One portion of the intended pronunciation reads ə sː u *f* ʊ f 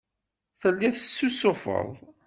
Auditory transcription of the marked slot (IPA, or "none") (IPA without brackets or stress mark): s